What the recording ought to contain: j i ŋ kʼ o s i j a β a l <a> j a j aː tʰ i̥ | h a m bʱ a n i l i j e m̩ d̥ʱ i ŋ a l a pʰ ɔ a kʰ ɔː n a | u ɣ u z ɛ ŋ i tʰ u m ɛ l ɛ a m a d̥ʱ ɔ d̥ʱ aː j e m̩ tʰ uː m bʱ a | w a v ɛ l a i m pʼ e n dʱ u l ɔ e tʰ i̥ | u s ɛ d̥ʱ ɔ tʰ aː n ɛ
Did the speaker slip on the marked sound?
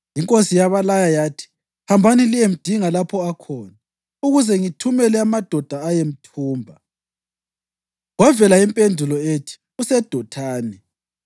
no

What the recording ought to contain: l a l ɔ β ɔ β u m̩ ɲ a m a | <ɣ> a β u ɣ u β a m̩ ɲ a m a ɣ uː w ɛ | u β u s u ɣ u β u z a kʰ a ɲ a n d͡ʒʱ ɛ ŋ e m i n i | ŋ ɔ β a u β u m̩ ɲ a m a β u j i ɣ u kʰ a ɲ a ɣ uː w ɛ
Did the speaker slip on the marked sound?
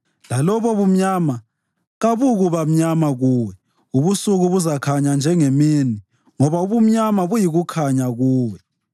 no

